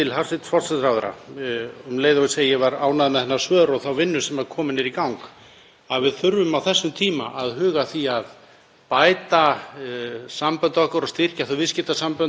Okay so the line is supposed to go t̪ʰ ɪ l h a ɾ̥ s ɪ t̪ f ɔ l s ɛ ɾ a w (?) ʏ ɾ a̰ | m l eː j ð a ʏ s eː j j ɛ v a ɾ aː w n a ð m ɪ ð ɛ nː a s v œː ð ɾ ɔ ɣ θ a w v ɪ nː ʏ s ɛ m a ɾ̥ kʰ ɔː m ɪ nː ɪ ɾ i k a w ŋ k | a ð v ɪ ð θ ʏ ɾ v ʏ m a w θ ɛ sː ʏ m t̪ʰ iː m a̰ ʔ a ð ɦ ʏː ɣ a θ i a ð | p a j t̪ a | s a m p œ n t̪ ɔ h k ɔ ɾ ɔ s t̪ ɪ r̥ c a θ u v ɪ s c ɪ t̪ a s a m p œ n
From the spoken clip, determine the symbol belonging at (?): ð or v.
ð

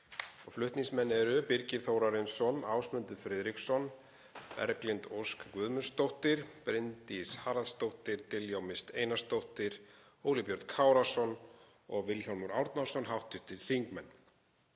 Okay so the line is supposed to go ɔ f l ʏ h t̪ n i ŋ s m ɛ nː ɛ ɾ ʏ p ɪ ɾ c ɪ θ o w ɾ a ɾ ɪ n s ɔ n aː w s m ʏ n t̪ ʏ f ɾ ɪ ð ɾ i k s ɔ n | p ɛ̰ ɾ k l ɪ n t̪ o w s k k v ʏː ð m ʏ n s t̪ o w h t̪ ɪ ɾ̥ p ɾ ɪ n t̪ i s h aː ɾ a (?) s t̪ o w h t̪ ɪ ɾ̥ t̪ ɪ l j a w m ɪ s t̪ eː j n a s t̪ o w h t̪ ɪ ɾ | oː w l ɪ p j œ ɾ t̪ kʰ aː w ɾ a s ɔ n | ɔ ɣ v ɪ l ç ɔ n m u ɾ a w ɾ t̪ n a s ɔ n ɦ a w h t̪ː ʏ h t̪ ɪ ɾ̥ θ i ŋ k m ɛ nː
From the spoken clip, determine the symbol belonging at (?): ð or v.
ð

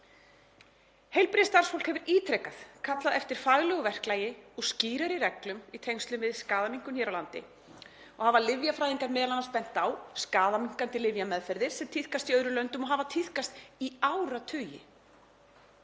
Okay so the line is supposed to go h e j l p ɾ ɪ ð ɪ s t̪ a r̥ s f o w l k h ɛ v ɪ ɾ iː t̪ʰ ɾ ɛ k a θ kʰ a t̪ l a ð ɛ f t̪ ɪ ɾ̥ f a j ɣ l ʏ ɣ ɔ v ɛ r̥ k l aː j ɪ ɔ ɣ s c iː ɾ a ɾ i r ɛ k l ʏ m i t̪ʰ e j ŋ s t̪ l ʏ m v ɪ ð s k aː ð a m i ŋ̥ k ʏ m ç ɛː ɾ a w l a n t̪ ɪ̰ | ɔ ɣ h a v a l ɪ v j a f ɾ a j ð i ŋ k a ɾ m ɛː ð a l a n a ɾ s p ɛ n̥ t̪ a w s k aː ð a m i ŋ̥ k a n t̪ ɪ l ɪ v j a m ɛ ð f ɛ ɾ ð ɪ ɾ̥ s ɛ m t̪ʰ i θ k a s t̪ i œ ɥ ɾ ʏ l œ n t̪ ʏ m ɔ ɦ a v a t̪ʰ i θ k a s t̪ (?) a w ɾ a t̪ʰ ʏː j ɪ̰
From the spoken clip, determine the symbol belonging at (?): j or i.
i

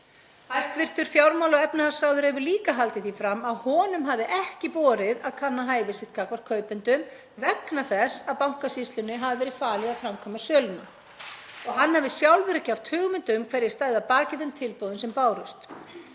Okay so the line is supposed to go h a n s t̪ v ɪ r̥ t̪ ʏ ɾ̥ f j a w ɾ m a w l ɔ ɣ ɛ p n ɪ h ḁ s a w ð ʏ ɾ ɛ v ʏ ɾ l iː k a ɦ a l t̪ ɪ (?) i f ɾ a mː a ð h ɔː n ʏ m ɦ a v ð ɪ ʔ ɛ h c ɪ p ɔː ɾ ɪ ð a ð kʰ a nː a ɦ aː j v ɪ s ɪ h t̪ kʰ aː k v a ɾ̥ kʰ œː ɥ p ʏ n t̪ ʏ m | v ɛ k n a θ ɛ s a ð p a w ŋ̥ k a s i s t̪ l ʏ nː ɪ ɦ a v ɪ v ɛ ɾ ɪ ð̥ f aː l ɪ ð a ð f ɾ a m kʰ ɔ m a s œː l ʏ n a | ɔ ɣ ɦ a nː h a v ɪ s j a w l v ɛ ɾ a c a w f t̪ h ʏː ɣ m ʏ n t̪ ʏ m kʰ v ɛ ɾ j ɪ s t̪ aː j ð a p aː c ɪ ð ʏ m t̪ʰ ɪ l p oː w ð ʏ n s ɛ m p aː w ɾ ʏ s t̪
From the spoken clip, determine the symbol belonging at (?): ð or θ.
θ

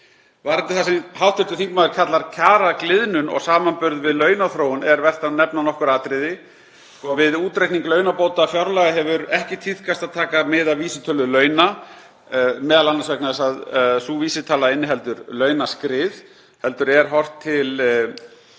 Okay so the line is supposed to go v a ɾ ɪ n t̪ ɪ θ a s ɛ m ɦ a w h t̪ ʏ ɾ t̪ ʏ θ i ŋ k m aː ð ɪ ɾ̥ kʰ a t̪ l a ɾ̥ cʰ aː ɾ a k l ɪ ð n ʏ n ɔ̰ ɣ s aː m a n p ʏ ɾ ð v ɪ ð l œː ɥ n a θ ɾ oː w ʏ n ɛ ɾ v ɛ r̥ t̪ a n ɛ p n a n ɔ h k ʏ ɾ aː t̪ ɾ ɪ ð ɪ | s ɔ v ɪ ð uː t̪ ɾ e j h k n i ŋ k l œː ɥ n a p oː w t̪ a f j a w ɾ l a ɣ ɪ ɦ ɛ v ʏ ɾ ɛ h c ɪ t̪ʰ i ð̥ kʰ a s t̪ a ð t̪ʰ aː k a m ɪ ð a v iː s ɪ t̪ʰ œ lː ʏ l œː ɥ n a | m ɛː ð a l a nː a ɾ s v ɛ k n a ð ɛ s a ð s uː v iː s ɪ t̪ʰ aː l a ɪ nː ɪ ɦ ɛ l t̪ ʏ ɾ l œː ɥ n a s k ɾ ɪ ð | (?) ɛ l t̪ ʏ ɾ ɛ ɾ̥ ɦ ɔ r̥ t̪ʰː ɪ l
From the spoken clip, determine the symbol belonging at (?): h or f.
h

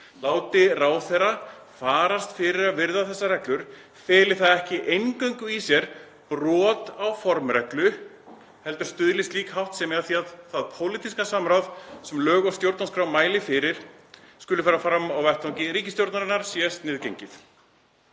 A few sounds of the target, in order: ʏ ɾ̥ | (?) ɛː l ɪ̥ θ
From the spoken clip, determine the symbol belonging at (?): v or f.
f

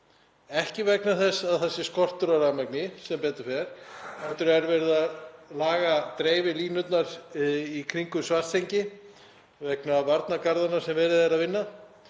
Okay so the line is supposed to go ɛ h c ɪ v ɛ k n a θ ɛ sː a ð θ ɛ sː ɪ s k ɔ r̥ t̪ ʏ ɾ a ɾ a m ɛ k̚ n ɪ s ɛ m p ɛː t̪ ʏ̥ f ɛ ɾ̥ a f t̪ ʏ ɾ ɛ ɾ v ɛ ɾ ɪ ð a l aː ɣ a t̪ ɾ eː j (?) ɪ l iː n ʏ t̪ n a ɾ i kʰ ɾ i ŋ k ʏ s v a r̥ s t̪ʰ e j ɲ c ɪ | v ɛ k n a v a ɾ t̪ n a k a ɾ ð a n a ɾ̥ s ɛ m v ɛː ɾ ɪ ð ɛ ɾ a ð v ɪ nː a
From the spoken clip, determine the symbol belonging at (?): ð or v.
v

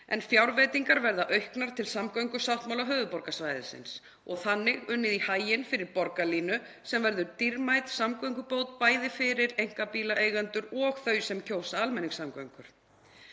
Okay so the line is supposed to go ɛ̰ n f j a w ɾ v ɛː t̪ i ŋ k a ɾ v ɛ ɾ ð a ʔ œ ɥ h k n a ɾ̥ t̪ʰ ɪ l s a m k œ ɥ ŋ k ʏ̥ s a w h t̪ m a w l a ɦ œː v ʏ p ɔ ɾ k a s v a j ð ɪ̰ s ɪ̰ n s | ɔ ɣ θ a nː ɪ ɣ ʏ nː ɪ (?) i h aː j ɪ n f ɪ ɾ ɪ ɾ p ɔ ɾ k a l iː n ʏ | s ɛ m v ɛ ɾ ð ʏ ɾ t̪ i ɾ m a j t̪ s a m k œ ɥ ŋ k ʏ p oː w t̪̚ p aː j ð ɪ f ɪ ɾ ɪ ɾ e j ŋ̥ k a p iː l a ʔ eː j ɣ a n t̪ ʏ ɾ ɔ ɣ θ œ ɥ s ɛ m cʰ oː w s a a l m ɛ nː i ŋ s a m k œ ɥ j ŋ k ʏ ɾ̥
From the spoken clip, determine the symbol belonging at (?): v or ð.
ð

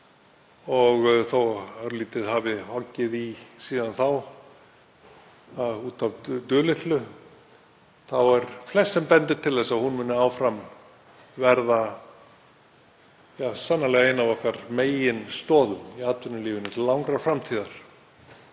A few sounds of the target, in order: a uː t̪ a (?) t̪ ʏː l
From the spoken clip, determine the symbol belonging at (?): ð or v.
v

